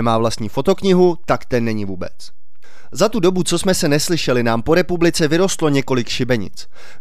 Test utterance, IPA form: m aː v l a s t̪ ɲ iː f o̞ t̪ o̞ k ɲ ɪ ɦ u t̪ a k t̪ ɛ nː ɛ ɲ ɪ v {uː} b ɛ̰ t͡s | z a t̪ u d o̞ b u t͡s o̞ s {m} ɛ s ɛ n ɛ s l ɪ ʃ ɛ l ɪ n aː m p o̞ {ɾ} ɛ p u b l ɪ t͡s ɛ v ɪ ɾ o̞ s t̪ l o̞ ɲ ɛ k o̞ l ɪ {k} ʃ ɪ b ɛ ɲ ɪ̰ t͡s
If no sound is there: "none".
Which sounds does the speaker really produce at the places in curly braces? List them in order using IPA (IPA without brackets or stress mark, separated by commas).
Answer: uː, m, ɾ, k